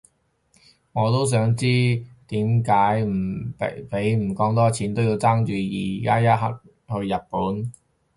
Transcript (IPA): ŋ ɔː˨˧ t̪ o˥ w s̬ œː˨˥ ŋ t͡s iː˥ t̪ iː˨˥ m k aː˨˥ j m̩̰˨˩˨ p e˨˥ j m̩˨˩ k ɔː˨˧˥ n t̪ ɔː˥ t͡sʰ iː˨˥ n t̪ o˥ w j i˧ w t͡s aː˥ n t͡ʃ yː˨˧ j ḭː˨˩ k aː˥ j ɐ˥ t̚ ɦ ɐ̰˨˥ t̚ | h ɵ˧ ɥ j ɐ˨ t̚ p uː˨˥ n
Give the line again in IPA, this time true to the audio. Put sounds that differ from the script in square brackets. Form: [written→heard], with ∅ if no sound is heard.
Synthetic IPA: ŋ ɔː˨˧ t̪ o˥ w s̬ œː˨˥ ŋ t͡s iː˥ t̪ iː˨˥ m k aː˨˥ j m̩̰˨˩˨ p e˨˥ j m̩˨˩ k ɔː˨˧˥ [n→ŋ] t̪ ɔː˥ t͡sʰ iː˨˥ n t̪ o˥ w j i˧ w t͡s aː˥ [n→ŋ] t͡ʃ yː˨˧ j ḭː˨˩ k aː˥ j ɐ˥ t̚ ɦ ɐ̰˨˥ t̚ | h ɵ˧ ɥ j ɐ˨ t̚ p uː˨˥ n